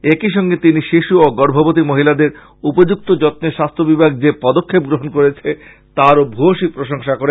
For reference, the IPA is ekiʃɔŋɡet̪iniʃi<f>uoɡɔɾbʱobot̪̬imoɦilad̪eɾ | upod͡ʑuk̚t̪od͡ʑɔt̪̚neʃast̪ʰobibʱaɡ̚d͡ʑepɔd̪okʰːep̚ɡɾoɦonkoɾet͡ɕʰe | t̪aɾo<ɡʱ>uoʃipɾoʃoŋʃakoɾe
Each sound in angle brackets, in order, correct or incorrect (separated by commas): incorrect, incorrect